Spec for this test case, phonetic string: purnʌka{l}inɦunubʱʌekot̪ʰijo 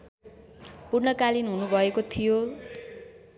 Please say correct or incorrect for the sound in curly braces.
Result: correct